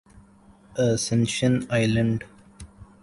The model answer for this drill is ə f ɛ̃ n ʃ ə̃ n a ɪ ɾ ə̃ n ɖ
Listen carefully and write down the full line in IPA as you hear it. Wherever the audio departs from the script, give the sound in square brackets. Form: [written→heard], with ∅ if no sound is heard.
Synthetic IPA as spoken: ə [f→s] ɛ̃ n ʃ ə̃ n a ɪ [ɾ→l] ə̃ [n→ɳ] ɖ

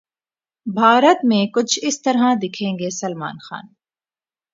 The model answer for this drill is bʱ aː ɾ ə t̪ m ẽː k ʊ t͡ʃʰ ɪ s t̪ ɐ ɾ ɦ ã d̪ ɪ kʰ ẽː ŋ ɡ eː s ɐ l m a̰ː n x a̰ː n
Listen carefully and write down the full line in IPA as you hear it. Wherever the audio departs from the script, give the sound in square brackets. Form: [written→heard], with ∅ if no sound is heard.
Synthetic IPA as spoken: bʱ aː ɾ ə t̪ m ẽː k ʊ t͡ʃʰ ɪ s t̪ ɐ ɾ ɦ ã d̪ ɪ kʰ ẽː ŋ ɡ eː s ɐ l m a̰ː n x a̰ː n

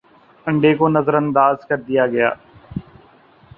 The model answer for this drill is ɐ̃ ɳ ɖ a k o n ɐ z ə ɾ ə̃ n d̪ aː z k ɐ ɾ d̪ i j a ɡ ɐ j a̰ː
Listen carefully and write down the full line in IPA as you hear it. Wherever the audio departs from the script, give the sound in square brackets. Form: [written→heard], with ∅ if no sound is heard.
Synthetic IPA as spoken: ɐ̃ ɳ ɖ [a→e] k o n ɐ z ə ɾ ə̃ n d̪ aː z k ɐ ɾ d̪ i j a ɡ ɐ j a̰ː

